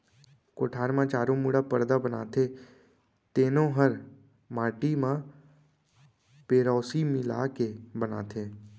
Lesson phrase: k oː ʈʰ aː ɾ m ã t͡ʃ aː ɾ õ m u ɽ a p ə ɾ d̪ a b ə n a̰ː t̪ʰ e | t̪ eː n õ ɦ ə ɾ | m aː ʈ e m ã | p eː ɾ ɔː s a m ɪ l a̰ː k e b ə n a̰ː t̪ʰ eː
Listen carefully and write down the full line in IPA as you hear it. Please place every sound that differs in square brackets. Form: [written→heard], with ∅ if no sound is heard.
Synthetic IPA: k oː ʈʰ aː ɾ m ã t͡ʃ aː ɾ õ m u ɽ a p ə ɾ d̪ a b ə n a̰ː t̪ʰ e | t̪ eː n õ ɦ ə ɾ | m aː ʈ [e→i] m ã | p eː ɾ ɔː s [a→i] m ɪ l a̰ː k e b ə n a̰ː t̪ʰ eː